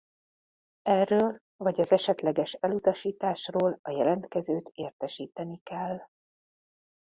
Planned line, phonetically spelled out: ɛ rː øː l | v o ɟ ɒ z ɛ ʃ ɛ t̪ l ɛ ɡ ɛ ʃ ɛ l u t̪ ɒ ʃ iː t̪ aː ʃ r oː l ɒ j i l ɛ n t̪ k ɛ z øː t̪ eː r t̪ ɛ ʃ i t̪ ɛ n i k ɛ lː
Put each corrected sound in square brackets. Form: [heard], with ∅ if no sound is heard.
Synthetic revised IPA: ɛ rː øː l | v [ɒ] ɟ ɒ z ɛ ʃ ɛ t̪ l ɛ ɡ ɛ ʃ ɛ l u t̪ ɒ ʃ iː t̪ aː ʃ r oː l ɒ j [ɛ] l ɛ n t̪ k ɛ z øː t̪ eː r t̪ ɛ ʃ [iː] t̪ ɛ n i k ɛ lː

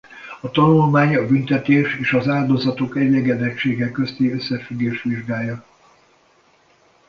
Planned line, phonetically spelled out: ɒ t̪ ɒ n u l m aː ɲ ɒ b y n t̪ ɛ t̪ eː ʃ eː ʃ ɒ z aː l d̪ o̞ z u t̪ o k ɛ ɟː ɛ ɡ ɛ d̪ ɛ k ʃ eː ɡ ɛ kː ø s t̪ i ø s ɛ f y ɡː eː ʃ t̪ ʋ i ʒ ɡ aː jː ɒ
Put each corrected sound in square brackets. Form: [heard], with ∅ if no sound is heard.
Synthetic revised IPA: ɒ t̪ ɒ n u l m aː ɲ ɒ b y n t̪ ɛ t̪ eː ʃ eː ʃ ɒ z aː l d̪ o̞ z [ɒ] t̪ o k ɛ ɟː ɛ ɡ ɛ d̪ ɛ k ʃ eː ɡ ɛ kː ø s t̪ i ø [sː] ɛ f y ɡː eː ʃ t̪ ʋ i ʒ ɡ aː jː ɒ

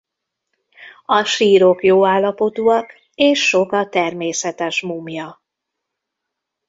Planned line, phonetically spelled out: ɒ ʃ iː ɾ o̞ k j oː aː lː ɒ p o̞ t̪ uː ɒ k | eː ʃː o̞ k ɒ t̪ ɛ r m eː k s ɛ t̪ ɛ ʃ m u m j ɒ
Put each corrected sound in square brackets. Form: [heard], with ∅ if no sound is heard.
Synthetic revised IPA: ɒ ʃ iː ɾ o̞ k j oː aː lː ɒ p o̞ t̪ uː ɒ k | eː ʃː o̞ k ɒ t̪ ɛ r m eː [∅] s ɛ t̪ ɛ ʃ m u m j ɒ

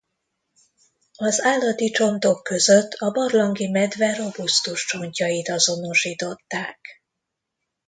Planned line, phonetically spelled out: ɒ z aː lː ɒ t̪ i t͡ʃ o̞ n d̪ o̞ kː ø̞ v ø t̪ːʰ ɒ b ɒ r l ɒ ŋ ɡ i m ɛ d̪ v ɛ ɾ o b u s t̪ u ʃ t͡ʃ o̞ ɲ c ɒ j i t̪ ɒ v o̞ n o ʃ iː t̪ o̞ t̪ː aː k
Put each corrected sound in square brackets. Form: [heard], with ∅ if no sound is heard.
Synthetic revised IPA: ɒ z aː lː ɒ t̪ i t͡ʃ o̞ n [t̪] o̞ kː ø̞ [z] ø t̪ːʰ ɒ b ɒ r l ɒ ŋ ɡ i m ɛ d̪ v ɛ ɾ o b u s t̪ u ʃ t͡ʃ o̞ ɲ c ɒ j i t̪ ɒ [z] o̞ n o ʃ iː t̪ o̞ t̪ː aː k

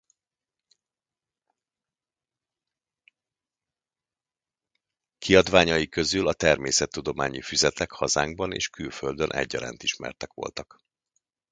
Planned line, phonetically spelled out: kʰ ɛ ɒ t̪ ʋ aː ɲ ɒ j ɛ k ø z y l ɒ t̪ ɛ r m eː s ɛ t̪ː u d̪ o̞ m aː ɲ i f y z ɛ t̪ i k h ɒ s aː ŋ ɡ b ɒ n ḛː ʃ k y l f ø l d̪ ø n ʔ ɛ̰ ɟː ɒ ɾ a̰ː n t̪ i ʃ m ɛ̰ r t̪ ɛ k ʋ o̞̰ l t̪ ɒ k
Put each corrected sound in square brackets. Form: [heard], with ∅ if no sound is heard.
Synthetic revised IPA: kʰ [i] ɒ [d̪] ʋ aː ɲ ɒ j [i] k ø z y l ɒ t̪ ɛ r m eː s ɛ t̪ː u d̪ o̞ m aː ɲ i f y z ɛ t̪ [ɛ] k h ɒ [z] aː ŋ ɡ b ɒ n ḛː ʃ k y l f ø l d̪ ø n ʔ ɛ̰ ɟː ɒ ɾ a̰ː n t̪ i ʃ m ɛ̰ r t̪ ɛ k ʋ o̞̰ l t̪ ɒ k

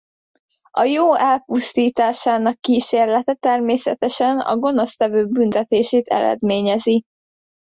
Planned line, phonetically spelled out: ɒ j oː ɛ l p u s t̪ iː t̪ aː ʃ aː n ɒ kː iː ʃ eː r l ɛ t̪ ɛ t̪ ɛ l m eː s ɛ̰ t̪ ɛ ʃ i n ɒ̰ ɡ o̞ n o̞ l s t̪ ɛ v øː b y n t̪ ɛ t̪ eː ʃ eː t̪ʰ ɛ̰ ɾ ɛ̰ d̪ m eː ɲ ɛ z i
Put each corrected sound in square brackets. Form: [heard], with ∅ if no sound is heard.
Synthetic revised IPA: ɒ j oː ɛ l p u s t̪ iː t̪ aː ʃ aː n ɒ kː iː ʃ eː r l ɛ t̪ ɛ t̪ ɛ [r] m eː s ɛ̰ t̪ ɛ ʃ [ɛ] n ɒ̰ ɡ o̞ n o̞ [∅] s t̪ ɛ v øː b y n t̪ ɛ t̪ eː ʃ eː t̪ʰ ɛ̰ ɾ ɛ̰ d̪ m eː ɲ ɛ z i

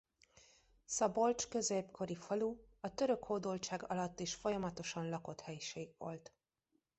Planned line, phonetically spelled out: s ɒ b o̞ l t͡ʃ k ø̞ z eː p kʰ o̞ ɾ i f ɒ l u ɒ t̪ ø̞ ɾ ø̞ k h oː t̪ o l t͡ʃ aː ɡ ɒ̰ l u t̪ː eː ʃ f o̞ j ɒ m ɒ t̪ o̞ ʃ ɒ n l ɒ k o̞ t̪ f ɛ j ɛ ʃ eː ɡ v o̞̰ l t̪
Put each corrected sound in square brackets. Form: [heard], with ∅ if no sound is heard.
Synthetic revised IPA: s ɒ b o̞ l t͡ʃ k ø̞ z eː p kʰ o̞ ɾ i f ɒ l u ɒ t̪ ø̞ ɾ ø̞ k h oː [d̪] o l t͡ʃ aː ɡ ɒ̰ l [ɒ] t̪ː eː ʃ f o̞ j ɒ m ɒ t̪ o̞ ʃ ɒ n l ɒ k o̞ t̪ [h] ɛ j [i] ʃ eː ɡ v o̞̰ l t̪

